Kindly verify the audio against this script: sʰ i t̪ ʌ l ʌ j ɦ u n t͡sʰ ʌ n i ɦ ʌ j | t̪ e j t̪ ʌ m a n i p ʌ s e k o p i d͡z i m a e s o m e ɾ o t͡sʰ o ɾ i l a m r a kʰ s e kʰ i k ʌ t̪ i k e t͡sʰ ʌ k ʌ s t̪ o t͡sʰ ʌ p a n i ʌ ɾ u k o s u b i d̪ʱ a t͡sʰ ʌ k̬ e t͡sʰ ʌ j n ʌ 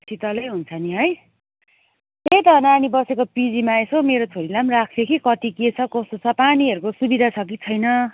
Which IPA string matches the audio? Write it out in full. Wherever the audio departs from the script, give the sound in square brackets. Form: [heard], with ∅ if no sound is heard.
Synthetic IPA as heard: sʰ i t̪ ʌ l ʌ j ɦ u n t͡sʰ ʌ n i ɦ ʌ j | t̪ e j t̪ ʌ [n] a n i [b] ʌ s e k o p i d͡z i m a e s o m e ɾ o t͡sʰ o ɾ i l a m r a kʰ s e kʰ i k ʌ t̪ i k e t͡sʰ ʌ k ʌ s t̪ o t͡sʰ ʌ p a n i ʌ ɾ u k o s u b i d̪ʱ a t͡sʰ ʌ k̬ [i] t͡sʰ ʌ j n ʌ